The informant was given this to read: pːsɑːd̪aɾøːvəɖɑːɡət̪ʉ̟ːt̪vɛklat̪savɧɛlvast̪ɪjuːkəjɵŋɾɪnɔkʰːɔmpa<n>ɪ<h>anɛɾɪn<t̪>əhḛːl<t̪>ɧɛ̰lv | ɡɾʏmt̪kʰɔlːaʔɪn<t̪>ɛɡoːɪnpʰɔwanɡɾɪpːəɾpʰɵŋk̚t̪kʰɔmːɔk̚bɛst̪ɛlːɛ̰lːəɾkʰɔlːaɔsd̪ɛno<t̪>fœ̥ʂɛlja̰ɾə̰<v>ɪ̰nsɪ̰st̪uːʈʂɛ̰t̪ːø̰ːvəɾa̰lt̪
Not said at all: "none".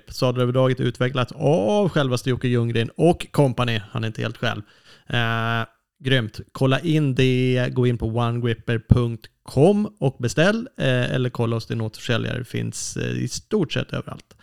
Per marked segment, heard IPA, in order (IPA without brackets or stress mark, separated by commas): n, h, t̪, t̪, d̪, t̪, f